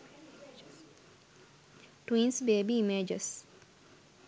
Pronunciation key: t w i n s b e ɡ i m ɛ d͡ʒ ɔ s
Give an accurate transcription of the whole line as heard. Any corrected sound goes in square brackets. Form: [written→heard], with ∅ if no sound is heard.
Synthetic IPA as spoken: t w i n s b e [ɡ→b] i m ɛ d͡ʒ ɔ s